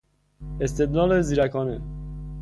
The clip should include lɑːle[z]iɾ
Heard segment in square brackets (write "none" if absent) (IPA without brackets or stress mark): z